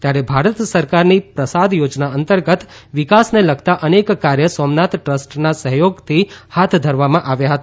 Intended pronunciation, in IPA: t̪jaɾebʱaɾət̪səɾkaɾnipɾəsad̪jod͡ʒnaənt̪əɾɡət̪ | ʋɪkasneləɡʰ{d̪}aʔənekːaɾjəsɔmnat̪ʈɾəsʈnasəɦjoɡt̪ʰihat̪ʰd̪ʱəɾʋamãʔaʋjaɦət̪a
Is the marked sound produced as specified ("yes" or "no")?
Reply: no